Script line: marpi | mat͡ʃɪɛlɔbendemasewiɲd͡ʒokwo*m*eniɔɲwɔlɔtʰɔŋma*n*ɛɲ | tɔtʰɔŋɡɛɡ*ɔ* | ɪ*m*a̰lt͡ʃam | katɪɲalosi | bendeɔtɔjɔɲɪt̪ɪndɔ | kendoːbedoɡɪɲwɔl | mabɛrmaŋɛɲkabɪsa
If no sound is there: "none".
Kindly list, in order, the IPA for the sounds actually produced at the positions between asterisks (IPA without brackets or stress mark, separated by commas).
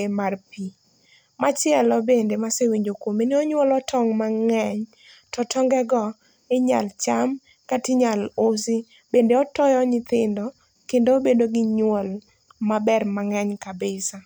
m, ŋ, ɔ, ɲ